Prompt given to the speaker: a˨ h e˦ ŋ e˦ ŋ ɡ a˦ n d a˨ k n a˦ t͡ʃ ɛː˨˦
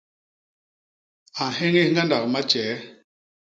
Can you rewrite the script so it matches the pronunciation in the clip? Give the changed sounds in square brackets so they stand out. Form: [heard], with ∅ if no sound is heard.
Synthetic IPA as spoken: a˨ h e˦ ŋ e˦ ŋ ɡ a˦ n d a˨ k [m] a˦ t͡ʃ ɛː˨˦